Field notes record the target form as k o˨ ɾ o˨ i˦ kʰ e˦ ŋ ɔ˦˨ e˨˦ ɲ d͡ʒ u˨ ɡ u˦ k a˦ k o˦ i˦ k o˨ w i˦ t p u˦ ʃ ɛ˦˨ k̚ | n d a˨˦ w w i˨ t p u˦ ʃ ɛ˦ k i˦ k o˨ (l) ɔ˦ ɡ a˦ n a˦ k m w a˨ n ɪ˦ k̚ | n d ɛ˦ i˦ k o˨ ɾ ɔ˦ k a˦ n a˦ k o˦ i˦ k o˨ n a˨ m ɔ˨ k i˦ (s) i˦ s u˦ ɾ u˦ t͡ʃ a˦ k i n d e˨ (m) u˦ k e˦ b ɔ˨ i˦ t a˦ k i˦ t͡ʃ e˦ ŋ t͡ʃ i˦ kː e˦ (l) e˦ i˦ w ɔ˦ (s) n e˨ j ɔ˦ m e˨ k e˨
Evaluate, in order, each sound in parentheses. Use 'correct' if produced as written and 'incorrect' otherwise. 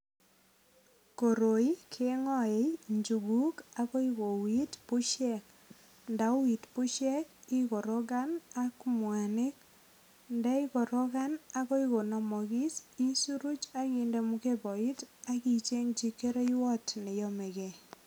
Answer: incorrect, correct, correct, incorrect, incorrect

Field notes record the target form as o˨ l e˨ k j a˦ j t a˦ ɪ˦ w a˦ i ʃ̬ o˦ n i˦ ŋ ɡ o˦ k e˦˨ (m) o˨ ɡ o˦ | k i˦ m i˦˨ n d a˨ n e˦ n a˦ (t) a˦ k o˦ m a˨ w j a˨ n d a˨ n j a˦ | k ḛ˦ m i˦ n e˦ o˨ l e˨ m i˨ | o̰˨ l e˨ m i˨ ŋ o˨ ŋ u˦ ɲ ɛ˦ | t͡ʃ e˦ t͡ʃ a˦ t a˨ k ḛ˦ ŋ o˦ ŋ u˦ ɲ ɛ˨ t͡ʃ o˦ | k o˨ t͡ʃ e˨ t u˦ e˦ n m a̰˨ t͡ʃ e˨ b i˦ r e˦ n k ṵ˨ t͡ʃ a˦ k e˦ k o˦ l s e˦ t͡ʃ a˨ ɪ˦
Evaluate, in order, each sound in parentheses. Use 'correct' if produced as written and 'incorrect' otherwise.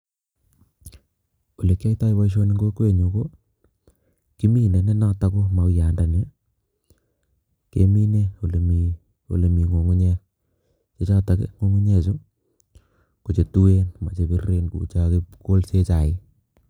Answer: incorrect, correct

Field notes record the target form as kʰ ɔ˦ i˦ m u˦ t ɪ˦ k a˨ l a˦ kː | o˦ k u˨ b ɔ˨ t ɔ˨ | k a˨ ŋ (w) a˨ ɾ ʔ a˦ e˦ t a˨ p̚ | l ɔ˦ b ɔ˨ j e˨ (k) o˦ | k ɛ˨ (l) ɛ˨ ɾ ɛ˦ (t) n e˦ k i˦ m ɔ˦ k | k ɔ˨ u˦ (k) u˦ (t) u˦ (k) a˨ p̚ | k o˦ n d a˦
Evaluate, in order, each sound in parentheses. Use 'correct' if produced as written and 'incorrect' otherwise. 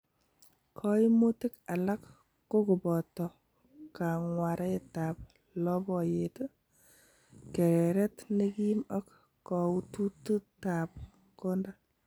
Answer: correct, incorrect, incorrect, correct, incorrect, correct, incorrect

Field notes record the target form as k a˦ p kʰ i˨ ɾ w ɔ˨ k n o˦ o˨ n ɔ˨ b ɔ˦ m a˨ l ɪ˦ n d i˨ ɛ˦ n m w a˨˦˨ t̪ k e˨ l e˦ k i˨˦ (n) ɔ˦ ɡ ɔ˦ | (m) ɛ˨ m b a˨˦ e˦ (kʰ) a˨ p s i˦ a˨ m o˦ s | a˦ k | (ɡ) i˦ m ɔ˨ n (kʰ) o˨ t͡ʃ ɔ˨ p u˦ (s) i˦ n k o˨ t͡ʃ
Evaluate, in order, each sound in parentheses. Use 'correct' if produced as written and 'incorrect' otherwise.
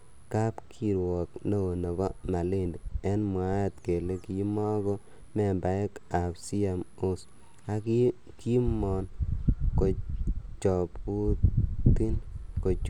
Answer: incorrect, correct, incorrect, incorrect, incorrect, incorrect

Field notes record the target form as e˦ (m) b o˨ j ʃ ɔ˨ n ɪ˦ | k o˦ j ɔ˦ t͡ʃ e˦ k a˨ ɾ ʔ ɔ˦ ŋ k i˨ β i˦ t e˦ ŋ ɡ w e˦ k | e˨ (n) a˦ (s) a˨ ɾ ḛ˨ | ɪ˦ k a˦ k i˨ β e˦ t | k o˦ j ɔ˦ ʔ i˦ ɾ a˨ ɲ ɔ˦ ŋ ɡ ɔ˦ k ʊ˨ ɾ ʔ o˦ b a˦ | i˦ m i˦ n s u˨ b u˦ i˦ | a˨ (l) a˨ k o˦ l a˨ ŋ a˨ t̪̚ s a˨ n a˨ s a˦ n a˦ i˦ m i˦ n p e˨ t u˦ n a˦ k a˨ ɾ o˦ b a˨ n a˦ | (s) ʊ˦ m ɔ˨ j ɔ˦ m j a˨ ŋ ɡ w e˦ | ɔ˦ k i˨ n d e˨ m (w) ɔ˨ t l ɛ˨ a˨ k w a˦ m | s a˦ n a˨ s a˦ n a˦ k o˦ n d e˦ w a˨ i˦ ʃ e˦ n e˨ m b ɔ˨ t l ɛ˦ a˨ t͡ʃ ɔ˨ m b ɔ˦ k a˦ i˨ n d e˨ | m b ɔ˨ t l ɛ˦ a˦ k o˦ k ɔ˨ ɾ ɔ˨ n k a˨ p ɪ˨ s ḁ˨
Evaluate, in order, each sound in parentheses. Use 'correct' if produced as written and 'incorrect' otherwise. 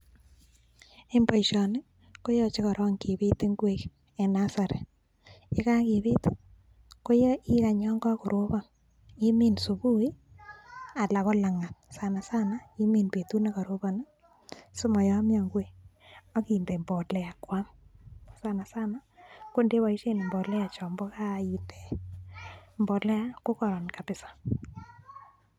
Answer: correct, correct, correct, correct, correct, incorrect

